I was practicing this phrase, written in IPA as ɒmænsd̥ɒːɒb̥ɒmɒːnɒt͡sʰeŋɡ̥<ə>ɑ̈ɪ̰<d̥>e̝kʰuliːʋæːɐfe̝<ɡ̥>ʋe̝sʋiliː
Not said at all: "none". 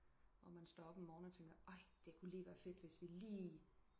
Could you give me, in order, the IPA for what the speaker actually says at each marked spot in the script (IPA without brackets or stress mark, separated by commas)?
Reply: ɐ, d̥, d̥